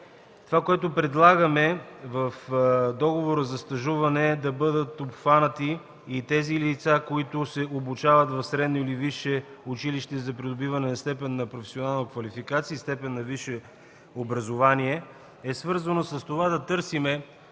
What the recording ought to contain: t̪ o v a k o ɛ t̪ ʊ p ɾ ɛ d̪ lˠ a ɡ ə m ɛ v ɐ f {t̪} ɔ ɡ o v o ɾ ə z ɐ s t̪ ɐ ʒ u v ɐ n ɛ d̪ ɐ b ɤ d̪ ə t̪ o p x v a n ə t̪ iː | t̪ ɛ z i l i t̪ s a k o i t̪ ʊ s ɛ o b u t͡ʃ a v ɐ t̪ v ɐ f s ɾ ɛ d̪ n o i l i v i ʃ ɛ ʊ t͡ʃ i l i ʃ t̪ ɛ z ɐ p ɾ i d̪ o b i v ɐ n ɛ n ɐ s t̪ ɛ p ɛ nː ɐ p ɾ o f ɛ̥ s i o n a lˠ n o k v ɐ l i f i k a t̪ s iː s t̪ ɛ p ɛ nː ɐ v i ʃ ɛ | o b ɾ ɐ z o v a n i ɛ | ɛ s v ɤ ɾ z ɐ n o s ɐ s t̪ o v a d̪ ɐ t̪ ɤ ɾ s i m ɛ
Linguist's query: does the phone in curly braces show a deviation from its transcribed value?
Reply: yes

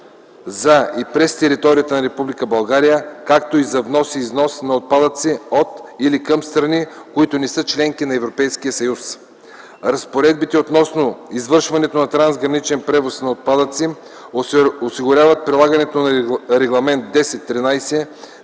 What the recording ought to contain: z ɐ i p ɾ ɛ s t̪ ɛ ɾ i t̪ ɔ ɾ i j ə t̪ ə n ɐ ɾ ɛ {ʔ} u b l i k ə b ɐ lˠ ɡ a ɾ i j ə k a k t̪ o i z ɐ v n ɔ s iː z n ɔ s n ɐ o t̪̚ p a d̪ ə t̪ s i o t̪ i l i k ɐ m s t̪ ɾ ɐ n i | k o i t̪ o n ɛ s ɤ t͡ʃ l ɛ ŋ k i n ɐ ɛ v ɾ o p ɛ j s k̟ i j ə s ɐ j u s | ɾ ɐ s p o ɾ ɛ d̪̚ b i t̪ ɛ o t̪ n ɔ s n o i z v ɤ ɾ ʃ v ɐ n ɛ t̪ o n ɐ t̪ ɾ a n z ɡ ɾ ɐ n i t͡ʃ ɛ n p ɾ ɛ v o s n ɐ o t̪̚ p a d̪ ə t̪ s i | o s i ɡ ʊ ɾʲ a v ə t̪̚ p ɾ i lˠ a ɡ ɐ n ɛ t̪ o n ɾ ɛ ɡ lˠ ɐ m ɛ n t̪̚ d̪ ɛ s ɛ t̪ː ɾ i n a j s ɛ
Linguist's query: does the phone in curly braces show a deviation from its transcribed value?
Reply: yes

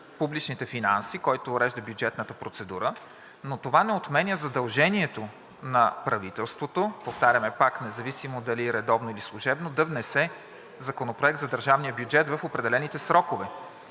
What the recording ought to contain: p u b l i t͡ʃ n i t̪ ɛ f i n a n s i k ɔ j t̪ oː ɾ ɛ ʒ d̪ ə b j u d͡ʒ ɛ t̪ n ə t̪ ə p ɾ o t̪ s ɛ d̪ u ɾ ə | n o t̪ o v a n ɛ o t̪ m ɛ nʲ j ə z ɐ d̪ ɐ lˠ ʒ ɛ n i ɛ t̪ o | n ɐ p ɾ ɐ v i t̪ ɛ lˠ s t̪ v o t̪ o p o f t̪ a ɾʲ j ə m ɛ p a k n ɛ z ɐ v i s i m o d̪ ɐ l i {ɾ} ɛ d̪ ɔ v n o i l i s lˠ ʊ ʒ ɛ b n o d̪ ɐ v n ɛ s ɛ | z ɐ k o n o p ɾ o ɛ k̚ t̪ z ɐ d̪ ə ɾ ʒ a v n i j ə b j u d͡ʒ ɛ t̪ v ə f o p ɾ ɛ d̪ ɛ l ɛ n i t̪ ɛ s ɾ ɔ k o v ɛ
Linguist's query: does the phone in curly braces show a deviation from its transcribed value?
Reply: no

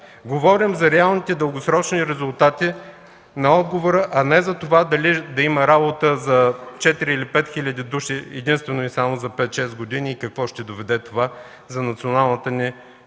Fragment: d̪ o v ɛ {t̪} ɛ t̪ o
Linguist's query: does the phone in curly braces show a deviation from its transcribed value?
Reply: yes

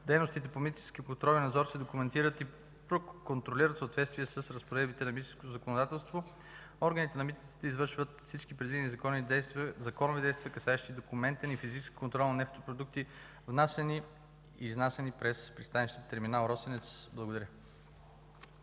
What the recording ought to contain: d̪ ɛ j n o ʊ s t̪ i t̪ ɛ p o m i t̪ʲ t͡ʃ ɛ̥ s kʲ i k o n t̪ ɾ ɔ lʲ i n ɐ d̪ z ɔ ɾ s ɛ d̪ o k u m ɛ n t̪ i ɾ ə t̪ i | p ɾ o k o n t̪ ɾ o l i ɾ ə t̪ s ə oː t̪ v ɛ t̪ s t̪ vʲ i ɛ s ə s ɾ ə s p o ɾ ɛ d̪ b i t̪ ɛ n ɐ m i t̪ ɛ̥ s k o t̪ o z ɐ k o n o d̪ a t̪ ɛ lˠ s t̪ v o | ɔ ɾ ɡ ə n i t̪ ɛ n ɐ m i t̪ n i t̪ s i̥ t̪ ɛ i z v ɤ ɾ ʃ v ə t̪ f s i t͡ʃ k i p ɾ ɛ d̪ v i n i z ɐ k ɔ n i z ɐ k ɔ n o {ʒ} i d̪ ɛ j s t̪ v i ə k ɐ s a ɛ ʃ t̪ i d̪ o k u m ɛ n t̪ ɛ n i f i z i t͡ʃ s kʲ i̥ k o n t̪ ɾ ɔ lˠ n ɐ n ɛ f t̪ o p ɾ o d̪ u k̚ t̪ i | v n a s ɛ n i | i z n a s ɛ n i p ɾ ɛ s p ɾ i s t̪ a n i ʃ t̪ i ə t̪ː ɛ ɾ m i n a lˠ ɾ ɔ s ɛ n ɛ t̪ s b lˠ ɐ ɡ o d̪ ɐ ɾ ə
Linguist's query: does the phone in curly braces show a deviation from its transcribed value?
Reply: yes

